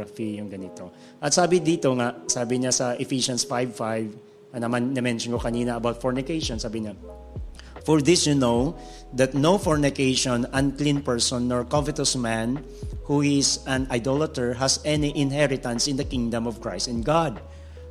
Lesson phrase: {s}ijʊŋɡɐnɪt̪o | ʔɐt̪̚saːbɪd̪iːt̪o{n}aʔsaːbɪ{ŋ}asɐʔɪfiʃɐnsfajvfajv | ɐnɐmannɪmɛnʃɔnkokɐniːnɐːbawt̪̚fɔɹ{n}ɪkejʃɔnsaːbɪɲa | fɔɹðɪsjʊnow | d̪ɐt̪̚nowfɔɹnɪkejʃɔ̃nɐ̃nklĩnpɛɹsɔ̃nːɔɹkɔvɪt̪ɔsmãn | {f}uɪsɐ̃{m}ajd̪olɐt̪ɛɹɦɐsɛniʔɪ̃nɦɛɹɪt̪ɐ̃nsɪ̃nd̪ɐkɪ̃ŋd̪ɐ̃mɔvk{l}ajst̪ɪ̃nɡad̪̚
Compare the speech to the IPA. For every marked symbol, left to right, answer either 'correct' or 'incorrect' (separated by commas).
incorrect, incorrect, incorrect, correct, incorrect, incorrect, incorrect